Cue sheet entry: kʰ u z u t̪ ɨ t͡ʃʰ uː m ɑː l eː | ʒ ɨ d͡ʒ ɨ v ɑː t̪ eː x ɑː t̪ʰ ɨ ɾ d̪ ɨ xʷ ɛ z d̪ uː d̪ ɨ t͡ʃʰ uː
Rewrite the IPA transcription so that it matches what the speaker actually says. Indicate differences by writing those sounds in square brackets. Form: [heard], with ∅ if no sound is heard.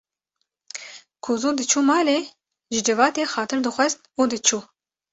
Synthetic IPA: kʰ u z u [d̪] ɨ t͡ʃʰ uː m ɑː l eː | ʒ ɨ d͡ʒ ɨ v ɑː t̪ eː x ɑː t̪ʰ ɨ ɾ d̪ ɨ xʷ ɛ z [t̪] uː d̪ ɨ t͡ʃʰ uː